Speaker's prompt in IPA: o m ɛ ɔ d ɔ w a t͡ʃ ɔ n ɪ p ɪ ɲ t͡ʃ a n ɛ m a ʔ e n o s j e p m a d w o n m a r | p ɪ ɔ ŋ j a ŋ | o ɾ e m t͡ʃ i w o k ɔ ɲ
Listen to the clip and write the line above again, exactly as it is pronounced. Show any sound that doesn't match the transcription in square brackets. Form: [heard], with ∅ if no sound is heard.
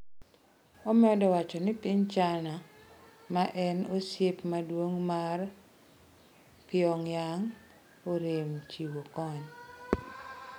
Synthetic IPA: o m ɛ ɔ d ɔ w a t͡ʃ ɔ n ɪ p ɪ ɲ t͡ʃ a n [a] m a ʔ [ɛ] n o s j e p m a d w o [ŋ] m a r | p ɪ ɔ ŋ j a ŋ | o ɾ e m t͡ʃ i w o k ɔ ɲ